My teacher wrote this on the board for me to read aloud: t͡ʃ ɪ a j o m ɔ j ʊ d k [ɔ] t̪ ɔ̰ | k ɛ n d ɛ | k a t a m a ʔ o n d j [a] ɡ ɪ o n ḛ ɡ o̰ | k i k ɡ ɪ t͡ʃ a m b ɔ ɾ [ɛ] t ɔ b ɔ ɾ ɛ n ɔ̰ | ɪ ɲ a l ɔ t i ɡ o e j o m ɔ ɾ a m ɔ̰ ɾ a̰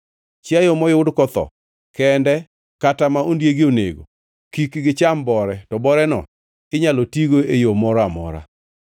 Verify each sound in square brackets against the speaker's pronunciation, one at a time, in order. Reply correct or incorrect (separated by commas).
correct, incorrect, correct